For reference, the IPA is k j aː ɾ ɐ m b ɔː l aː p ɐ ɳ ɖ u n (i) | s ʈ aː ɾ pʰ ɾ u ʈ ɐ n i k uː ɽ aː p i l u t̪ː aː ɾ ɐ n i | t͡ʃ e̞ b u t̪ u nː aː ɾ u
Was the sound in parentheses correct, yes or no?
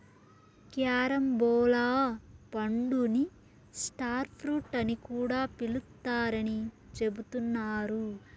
yes